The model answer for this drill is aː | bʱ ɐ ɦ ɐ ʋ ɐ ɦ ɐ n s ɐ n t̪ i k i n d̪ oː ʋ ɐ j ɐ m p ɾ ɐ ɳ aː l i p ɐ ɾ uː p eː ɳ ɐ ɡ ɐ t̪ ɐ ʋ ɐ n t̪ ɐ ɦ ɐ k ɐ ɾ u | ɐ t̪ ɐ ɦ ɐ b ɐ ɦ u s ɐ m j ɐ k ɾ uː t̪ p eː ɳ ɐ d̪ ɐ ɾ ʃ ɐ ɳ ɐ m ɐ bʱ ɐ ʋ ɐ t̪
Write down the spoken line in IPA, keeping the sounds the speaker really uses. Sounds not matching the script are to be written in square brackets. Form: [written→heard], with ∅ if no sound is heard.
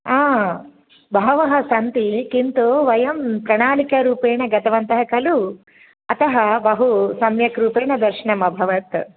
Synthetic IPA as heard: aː | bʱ ɐ ɦ ɐ ʋ ɐ ɦ ɐ [n→∅] s ɐ n t̪ i k i n [d̪→t̪] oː ʋ ɐ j ɐ m p ɾ ɐ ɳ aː l i [p→k] ɐ ɾ uː p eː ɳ ɐ ɡ ɐ t̪ ɐ ʋ ɐ n t̪ ɐ ɦ ɐ k ɐ [ɾ→l] u | ɐ t̪ ɐ ɦ ɐ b ɐ ɦ u s ɐ m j ɐ k ɾ uː [t̪→∅] p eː ɳ ɐ d̪ ɐ ɾ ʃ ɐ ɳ ɐ m ɐ bʱ ɐ ʋ ɐ t̪